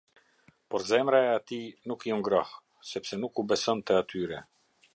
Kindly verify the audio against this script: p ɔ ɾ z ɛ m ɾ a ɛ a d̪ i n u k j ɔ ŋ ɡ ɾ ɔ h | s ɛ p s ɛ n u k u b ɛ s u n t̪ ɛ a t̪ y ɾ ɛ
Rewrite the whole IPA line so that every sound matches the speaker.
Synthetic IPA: p ɔ ɾ z ɛ m ɾ a ɛ a t̪ i n u k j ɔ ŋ ɡ ɾ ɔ h | s ɛ p s ɛ n u k u b ɛ s ɔ n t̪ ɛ a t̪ y ɾ ɛ